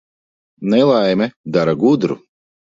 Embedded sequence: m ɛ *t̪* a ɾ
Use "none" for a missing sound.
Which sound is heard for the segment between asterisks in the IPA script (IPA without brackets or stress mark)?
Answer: d̪